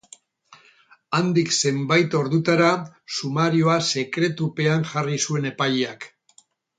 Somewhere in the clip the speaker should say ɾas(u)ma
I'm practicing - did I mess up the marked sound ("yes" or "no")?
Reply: no